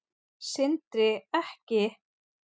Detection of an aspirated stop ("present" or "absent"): absent